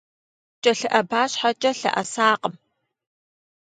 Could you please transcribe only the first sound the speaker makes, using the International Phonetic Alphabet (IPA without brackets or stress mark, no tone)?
t͡ʃʼ